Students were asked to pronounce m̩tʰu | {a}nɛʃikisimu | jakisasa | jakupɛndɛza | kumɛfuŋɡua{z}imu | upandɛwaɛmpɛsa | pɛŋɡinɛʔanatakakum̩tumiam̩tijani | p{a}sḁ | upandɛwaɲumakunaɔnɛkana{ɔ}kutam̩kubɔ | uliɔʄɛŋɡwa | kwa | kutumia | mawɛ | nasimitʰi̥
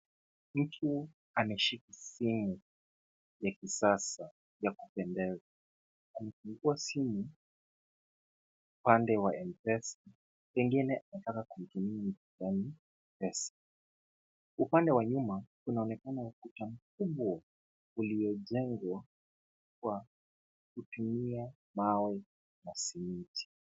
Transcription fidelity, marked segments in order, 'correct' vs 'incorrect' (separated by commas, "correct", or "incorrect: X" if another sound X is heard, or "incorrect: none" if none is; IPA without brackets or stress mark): correct, incorrect: s, incorrect: ɛ, incorrect: u